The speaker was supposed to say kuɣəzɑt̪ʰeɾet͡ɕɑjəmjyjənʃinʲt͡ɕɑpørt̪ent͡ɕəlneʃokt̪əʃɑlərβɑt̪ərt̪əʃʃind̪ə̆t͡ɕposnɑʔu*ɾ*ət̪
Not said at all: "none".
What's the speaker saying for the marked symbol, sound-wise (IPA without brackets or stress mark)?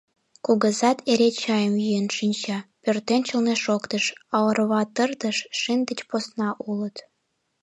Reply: l